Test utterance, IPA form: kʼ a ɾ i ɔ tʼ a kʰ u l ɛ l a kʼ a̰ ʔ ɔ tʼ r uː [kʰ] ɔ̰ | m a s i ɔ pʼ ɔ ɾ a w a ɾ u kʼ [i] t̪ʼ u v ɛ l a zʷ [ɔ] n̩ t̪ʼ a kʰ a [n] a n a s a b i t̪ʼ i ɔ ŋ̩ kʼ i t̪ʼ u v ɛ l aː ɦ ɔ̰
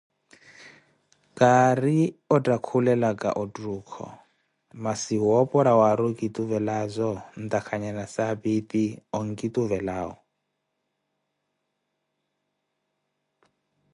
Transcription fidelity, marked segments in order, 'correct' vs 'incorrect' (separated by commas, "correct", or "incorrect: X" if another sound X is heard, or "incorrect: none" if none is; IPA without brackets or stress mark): correct, correct, correct, incorrect: ɲ